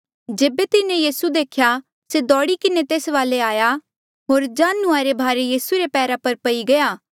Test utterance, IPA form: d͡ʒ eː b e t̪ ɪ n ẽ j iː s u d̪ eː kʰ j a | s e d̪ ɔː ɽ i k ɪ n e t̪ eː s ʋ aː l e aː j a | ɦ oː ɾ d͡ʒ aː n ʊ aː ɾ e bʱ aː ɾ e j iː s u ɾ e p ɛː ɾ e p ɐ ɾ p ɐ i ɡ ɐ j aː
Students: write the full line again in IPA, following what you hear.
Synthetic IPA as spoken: d͡ʒ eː b e t̪ ɪ n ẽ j iː s u d̪ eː kʰ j a | s e d̪ ɔː ɽ i k ɪ n e t̪ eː s ʋ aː l e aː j a | ɦ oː ɾ d͡ʒ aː n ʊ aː ɾ e bʱ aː ɾ e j iː s u ɾ e p ɛː ɾ a p ɐ ɾ p ɐ i ɡ ɐ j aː